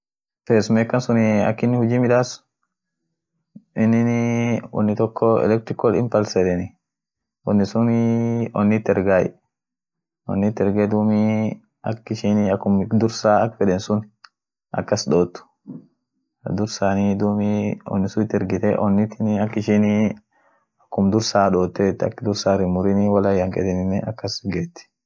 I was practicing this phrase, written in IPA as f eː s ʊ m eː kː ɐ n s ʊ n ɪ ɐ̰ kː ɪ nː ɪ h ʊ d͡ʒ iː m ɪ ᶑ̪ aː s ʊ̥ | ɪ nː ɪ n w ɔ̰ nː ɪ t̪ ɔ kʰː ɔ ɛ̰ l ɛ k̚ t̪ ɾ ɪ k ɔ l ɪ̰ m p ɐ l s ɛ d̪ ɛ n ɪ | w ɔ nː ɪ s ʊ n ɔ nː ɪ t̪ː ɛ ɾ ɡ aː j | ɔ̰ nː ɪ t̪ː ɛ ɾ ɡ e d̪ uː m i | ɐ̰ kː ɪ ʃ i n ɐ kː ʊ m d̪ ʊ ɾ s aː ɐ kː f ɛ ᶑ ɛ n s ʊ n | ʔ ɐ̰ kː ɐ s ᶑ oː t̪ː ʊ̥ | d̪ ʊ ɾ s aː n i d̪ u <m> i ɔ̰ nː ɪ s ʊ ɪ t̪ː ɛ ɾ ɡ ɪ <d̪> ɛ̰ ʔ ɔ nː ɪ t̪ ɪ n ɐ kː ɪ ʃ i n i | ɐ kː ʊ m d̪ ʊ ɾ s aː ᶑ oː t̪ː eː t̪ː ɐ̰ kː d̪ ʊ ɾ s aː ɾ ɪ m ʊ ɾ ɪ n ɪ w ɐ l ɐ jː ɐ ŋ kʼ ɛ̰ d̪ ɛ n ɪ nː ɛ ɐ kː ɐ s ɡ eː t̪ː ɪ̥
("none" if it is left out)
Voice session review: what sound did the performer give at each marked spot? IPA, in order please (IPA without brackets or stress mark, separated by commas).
m, t̪